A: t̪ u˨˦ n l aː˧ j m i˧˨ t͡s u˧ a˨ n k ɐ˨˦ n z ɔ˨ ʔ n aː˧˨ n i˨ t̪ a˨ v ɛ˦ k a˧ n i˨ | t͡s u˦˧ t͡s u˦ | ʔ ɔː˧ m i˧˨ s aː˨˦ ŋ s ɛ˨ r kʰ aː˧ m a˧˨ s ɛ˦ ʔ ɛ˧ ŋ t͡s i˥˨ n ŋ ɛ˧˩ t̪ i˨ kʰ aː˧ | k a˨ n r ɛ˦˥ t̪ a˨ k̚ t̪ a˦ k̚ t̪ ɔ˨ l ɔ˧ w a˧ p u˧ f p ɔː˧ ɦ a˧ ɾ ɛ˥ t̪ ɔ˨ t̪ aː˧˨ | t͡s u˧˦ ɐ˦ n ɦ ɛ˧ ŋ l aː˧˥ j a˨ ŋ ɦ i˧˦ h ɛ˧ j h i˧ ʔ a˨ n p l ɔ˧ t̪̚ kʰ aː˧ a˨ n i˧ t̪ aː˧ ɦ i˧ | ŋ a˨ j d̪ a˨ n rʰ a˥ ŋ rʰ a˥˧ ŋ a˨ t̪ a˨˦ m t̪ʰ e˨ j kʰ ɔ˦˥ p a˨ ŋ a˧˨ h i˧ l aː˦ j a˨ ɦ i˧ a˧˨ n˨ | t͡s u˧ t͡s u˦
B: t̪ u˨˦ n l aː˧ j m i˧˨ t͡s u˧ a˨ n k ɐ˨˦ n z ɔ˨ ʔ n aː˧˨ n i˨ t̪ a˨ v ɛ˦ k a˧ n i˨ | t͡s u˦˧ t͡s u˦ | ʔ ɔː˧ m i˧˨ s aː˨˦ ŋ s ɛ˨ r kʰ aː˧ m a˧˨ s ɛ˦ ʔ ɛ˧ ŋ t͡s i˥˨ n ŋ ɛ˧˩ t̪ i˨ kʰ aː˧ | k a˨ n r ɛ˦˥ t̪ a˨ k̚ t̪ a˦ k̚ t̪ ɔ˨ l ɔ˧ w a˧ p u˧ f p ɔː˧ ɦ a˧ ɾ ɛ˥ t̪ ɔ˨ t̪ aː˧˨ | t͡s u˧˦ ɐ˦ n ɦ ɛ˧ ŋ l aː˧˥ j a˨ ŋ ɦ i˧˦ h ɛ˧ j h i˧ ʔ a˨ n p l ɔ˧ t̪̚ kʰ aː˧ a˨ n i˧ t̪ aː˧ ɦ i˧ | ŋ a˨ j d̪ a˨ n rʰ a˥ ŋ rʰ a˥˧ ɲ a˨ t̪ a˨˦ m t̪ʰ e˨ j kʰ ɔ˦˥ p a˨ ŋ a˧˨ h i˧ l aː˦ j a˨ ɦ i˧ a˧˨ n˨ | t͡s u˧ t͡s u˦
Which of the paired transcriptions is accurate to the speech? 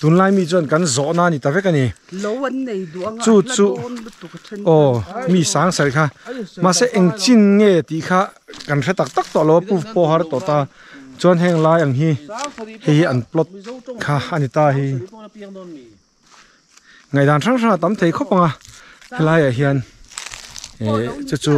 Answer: A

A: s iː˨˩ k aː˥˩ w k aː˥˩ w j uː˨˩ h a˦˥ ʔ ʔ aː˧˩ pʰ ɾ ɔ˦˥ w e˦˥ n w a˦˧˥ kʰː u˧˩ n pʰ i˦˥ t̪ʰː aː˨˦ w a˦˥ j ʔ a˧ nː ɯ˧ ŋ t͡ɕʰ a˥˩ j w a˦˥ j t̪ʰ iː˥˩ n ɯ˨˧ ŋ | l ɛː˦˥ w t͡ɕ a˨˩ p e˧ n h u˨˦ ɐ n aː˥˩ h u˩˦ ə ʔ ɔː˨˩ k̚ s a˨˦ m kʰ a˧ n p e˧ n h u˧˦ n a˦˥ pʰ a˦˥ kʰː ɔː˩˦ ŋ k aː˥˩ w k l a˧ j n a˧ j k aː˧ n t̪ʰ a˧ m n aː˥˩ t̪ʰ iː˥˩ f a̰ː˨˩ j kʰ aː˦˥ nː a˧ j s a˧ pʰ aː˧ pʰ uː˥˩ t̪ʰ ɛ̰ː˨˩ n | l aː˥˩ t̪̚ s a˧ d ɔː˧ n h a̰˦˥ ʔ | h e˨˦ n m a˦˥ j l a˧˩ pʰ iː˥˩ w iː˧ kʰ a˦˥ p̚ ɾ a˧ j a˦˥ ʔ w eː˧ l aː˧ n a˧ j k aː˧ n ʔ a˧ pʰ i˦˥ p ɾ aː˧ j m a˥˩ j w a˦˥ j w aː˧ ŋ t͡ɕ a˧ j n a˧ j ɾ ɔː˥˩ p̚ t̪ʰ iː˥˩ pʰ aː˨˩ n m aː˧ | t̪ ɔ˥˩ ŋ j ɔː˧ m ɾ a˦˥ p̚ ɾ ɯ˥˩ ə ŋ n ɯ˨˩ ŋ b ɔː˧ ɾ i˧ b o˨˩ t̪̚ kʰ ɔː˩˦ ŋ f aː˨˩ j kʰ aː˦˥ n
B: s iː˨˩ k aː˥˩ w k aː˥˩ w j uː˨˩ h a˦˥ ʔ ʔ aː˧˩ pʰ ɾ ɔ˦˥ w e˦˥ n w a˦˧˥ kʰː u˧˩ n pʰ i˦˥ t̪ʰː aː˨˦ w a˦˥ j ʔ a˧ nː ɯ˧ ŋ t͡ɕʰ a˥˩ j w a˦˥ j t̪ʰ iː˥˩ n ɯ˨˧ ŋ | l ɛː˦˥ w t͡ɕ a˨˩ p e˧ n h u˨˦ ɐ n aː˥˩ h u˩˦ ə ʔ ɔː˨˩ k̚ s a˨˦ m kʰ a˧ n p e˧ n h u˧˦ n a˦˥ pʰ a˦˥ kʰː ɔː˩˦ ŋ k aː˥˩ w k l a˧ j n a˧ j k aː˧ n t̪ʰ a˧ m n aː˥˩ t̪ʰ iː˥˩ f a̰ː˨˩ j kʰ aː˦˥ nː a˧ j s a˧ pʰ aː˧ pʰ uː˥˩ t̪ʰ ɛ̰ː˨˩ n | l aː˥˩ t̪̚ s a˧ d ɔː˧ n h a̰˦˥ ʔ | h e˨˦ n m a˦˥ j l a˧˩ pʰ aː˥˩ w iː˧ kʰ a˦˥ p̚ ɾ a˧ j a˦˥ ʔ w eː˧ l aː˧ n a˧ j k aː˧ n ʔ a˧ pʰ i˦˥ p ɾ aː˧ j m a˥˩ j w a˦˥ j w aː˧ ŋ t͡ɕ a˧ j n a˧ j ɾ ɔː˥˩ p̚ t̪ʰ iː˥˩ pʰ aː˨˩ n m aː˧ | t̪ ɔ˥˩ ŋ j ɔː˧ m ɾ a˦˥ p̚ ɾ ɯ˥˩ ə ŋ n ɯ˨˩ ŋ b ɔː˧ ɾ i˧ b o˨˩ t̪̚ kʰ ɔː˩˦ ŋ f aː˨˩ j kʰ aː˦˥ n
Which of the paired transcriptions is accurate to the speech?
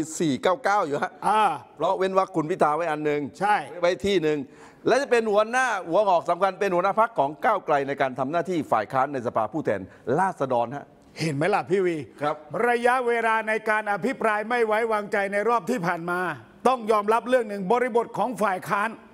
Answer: A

